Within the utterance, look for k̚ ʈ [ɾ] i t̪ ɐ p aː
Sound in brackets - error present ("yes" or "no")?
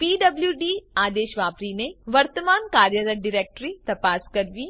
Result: no